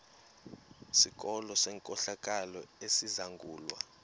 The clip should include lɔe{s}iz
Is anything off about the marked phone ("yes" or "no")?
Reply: no